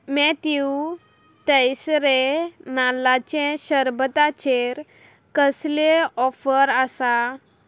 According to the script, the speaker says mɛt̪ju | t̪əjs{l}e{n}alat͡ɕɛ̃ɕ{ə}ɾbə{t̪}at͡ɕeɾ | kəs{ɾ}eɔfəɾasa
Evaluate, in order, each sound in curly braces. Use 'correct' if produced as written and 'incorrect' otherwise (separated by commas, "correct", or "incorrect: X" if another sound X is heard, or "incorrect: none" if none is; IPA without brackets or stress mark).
incorrect: ɾ, correct, correct, correct, incorrect: l